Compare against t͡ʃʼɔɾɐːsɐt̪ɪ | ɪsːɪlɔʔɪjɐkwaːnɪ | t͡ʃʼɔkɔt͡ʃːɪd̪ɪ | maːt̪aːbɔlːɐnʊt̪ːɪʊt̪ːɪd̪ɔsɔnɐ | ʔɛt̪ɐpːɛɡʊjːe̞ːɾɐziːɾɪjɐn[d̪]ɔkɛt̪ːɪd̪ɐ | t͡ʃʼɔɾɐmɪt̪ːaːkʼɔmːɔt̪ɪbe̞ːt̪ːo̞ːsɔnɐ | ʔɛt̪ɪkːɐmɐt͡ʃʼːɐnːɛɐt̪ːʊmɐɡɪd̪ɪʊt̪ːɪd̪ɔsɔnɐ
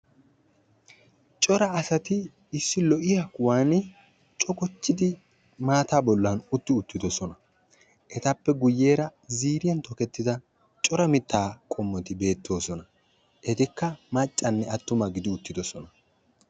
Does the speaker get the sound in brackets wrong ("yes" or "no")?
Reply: yes